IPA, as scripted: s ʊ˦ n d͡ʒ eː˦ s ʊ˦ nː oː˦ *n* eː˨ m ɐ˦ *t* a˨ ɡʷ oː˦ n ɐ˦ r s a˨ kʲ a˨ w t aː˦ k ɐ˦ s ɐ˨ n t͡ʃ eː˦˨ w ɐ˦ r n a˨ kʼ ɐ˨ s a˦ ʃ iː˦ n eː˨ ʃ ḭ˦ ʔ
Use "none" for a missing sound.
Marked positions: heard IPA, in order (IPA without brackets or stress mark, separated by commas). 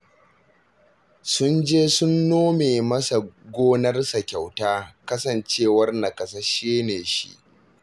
m, s